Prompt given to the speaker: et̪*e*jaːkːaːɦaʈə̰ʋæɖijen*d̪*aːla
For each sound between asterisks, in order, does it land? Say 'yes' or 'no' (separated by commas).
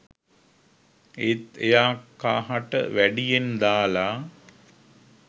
yes, yes